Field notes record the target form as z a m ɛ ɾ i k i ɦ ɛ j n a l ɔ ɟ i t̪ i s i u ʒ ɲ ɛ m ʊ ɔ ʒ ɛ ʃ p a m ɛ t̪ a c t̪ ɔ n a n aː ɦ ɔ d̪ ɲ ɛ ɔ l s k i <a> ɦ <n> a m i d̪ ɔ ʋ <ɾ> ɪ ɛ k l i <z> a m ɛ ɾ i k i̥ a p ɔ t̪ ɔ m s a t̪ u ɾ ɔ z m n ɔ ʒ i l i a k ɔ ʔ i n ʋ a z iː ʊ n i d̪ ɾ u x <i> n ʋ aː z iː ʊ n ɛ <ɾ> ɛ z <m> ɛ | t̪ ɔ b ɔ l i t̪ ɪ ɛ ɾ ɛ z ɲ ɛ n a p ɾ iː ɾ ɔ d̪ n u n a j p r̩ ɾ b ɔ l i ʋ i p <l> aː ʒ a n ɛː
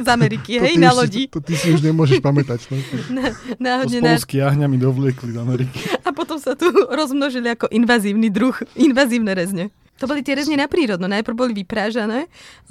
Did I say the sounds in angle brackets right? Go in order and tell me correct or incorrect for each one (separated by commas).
correct, incorrect, incorrect, correct, correct, correct, incorrect, incorrect